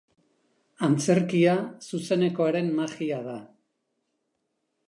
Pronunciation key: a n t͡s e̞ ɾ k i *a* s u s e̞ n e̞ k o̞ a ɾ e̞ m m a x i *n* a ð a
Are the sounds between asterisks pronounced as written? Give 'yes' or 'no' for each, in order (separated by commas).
yes, no